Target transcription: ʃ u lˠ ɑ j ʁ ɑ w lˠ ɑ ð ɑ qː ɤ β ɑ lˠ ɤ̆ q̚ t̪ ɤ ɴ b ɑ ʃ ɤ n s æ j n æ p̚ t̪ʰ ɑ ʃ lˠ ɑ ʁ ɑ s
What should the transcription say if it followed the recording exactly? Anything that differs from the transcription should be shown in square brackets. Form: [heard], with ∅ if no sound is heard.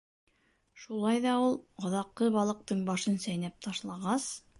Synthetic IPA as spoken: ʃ u lˠ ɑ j [ð] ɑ [u] lˠ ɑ ð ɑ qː ɤ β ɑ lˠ ɤ̆ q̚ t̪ ɤ ɴ b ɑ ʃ ɤ n s æ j n æ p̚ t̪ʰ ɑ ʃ lˠ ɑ ʁ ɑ s